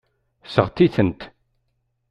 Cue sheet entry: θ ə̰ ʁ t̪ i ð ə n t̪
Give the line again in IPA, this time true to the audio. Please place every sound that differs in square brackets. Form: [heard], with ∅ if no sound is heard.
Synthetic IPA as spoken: [s] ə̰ ʁ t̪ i [θ] ə n t̪